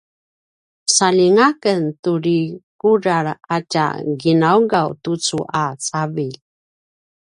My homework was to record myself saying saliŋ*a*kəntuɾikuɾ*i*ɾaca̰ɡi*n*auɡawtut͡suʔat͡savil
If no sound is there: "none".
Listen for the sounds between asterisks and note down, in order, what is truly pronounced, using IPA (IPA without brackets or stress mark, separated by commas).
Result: a, a, n